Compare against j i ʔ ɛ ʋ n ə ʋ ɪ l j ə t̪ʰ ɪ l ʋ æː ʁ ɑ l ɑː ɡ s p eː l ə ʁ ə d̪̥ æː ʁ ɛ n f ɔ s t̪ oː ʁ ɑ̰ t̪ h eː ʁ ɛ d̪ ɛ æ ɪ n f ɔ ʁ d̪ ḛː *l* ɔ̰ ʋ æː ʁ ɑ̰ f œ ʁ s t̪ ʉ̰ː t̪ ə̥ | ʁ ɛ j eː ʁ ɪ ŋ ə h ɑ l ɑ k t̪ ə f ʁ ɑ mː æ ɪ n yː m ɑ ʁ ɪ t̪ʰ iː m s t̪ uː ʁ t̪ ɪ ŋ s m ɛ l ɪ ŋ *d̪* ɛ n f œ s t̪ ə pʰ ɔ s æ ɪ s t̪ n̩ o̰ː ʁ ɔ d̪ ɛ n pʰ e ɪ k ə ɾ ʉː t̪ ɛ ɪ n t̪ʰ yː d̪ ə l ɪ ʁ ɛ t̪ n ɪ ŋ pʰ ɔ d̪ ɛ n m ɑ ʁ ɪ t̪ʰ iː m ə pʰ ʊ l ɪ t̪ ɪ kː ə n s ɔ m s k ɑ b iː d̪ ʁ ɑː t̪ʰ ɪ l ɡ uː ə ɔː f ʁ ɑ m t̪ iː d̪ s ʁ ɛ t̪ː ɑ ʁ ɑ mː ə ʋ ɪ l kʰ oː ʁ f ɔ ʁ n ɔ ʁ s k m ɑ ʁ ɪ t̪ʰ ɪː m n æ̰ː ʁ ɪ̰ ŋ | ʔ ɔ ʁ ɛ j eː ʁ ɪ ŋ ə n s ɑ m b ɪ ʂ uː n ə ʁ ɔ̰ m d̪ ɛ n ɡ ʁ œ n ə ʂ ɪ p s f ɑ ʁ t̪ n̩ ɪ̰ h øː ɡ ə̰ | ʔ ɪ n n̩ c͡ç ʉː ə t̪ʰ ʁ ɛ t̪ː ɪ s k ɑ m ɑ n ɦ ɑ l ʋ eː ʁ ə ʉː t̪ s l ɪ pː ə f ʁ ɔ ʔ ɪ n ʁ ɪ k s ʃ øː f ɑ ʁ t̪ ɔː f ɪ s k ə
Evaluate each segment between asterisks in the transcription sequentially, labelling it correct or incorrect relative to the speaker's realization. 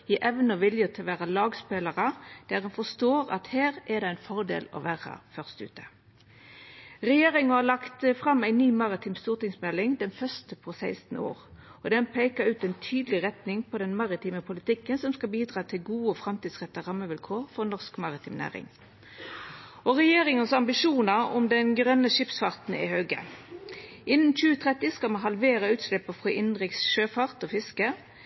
correct, correct

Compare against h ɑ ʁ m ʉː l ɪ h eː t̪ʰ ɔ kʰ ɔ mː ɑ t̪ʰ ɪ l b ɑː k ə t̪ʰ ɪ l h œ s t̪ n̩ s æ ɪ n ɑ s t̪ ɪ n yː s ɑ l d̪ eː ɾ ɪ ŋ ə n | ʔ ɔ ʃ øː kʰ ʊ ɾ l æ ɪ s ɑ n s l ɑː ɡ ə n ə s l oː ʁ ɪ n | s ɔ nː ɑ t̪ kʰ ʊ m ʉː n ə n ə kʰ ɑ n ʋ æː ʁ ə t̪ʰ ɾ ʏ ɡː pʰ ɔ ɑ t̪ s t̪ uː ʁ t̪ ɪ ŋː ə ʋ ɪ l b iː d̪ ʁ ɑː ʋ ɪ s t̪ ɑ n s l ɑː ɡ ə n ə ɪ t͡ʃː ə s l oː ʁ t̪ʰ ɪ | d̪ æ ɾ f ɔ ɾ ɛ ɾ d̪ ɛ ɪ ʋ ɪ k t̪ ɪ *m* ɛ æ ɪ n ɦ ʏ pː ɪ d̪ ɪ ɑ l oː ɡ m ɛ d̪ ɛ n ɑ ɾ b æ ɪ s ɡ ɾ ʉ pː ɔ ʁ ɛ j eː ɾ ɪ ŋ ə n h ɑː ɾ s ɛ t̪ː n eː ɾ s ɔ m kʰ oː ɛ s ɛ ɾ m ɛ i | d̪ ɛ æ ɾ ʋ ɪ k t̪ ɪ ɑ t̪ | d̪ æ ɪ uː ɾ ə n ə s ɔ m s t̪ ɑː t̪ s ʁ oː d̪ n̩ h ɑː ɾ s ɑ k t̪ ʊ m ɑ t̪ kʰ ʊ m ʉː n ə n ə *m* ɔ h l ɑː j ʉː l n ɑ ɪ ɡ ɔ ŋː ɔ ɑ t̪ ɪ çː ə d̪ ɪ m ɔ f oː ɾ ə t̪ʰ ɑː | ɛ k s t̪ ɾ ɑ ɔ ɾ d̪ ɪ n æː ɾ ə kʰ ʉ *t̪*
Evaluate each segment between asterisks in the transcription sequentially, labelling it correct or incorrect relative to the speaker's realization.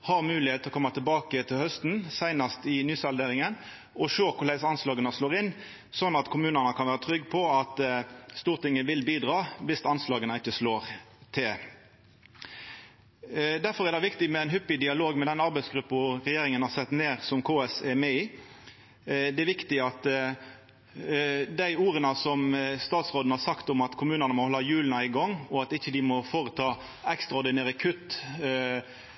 correct, correct, correct

